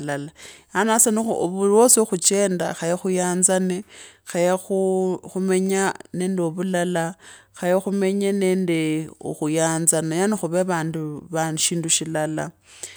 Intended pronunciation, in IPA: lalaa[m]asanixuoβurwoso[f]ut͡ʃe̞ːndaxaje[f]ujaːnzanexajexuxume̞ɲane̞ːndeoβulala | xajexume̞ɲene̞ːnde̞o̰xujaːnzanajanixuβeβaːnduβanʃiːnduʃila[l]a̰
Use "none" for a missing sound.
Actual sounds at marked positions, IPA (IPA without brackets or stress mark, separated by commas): n, x, x, l